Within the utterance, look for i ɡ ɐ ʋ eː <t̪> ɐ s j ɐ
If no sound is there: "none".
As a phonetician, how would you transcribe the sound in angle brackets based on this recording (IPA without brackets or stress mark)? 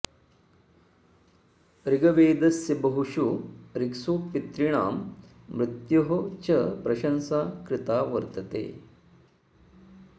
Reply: d̪